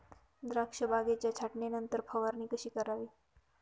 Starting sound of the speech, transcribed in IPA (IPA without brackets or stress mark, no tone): d̪